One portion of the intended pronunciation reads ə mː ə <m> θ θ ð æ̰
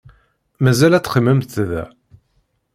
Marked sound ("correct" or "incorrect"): correct